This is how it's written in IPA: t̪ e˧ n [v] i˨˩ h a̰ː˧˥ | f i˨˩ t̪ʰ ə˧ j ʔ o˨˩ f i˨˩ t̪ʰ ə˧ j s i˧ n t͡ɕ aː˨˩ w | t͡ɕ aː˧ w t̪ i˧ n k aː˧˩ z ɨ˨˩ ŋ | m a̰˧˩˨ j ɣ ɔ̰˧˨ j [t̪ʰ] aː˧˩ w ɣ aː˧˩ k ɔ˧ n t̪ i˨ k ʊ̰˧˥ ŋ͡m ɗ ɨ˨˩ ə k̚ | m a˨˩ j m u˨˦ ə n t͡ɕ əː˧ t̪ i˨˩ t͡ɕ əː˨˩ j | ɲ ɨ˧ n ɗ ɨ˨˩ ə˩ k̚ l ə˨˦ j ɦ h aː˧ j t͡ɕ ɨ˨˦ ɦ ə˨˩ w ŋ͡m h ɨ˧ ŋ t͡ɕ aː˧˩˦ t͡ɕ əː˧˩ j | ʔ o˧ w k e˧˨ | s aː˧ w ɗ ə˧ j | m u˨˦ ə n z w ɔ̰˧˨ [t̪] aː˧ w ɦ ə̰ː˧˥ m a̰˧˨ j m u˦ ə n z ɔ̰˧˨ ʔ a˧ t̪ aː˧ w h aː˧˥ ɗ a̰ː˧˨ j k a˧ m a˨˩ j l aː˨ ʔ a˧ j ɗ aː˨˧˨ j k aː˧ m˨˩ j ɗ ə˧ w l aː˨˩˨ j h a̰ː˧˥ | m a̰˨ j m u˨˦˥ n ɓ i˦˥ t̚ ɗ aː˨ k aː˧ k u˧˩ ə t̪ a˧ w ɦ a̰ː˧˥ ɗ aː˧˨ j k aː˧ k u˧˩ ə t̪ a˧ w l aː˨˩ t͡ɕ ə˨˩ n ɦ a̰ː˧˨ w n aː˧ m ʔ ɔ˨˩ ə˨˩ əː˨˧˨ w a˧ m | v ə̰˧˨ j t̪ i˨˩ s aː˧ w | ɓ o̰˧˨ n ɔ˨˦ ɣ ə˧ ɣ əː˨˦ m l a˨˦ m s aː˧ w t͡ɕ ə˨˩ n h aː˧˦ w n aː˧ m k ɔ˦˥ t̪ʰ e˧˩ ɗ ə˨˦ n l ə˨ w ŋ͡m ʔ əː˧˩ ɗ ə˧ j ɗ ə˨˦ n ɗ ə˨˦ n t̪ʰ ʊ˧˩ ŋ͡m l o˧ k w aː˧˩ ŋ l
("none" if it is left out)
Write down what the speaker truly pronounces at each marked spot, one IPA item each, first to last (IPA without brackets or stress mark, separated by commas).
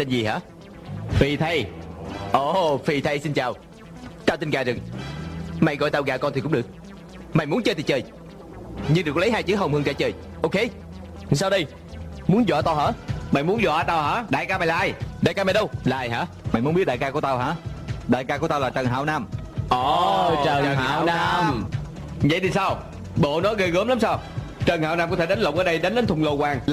z, t̪, t̪